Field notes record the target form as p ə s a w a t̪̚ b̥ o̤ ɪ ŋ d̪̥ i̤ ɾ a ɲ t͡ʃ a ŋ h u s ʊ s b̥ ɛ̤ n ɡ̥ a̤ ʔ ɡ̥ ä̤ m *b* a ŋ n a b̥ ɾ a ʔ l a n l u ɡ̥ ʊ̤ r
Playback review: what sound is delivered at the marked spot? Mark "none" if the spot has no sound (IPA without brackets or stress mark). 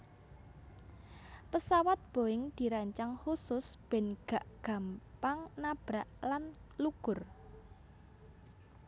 p